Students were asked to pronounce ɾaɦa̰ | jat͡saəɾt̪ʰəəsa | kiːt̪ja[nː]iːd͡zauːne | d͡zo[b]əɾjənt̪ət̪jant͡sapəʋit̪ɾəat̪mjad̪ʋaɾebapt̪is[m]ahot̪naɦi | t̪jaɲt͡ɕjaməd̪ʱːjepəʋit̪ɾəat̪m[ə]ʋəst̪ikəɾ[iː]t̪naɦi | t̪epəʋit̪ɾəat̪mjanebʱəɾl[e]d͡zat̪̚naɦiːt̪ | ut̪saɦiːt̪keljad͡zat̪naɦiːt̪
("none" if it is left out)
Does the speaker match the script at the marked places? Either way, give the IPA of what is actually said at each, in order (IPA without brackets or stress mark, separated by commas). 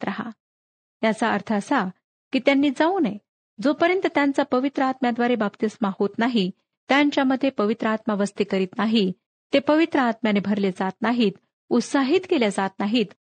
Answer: nː, p, m, a, iː, e